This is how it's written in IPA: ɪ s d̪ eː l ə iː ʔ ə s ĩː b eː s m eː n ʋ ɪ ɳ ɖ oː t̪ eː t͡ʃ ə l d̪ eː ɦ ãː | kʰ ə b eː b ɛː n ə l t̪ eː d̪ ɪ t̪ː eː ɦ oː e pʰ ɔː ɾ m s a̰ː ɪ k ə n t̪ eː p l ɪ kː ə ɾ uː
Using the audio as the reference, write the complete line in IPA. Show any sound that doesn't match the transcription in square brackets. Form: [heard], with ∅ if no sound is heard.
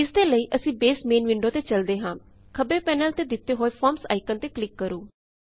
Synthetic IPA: ɪ s d̪ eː l ə iː ʔ ə s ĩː b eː s m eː n ʋ ɪ ɳ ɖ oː t̪ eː t͡ʃ ə l d̪ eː ɦ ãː | kʰ ə b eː [p] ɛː n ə l t̪ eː d̪ ɪ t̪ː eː ɦ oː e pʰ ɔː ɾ m s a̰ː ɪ k ə n t̪ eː [k] l ɪ kː ə ɾ uː

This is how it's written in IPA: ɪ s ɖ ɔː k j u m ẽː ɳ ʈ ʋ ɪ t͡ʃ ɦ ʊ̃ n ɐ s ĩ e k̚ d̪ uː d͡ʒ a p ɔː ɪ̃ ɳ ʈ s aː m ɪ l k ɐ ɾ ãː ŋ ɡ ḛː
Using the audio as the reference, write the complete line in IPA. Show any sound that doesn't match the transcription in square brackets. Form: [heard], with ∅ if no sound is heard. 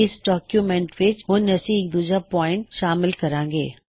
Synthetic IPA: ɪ s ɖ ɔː k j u m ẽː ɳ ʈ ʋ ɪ t͡ʃ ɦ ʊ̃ n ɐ s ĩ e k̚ d̪ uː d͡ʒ a p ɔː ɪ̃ ɳ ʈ [ʃ] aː m ɪ l k ɐ ɾ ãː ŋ ɡ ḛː

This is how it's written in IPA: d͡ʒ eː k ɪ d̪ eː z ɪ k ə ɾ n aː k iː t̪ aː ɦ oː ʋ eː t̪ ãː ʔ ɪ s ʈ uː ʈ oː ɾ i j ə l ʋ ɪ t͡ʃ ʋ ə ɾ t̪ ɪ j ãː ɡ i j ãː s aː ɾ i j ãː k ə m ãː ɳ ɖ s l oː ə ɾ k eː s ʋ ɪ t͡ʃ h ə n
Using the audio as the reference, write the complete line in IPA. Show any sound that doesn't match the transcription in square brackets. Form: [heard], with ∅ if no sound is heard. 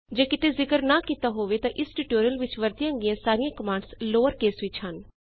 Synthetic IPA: d͡ʒ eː k ɪ [t̪] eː z ɪ k ə ɾ n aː k iː t̪ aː ɦ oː ʋ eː t̪ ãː ʔ ɪ s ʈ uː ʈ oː ɾ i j ə l ʋ ɪ t͡ʃ ʋ ə ɾ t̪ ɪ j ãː ɡ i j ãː s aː ɾ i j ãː k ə m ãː ɳ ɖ s l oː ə ɾ k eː s ʋ ɪ t͡ʃ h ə n

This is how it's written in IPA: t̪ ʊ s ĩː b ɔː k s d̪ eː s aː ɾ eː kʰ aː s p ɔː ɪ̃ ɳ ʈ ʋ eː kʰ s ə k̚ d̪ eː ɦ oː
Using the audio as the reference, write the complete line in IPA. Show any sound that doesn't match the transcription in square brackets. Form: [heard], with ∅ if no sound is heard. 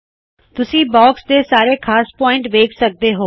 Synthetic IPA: t̪ ʊ s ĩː b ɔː k s d̪ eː s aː ɾ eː kʰ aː s p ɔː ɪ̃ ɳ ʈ ʋ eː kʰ s ə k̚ d̪ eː ɦ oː

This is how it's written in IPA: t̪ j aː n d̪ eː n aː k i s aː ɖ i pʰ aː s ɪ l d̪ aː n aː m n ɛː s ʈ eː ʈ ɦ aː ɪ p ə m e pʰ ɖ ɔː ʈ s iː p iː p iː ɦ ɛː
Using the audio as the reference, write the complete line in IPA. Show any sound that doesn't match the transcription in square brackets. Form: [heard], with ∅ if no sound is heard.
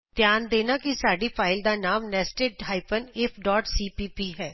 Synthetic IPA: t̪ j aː n d̪ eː n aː k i s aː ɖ i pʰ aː [∅] ɪ l d̪ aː n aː m n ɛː s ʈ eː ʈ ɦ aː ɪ p ə [n] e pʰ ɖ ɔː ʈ s iː p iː p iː ɦ ɛː

